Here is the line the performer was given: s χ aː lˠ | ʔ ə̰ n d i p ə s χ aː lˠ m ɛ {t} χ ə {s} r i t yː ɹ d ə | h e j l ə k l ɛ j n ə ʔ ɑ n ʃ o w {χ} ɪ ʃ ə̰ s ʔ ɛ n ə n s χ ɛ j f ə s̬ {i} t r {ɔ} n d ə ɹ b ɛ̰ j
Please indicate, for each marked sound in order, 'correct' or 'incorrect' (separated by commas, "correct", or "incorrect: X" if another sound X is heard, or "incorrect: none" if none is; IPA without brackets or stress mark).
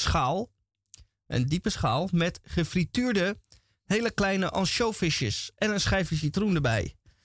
correct, incorrect: f, incorrect: f, correct, incorrect: u